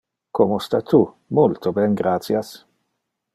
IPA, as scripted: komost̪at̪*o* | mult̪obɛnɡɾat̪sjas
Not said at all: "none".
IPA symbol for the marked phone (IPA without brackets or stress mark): u